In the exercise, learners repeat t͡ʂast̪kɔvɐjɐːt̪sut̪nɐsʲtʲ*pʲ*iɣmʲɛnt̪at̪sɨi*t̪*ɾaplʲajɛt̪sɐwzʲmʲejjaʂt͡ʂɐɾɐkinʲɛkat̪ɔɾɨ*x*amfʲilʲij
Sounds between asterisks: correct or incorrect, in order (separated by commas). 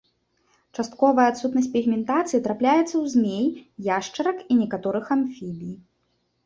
correct, correct, correct